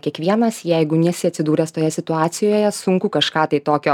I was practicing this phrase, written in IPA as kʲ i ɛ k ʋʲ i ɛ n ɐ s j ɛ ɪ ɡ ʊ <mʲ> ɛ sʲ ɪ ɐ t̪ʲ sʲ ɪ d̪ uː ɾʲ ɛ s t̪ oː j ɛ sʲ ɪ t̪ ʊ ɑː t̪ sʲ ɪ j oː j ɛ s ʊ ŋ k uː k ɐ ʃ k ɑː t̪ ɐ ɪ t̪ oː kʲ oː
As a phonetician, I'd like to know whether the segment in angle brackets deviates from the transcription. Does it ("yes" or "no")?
yes